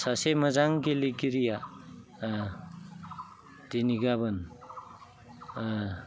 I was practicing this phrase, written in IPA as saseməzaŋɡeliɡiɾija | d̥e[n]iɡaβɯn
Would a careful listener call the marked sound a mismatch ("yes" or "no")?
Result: no